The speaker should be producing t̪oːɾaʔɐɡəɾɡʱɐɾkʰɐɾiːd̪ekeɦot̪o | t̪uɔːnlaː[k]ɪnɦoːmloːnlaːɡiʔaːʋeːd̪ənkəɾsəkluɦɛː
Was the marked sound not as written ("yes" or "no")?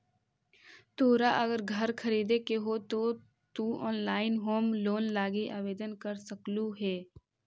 yes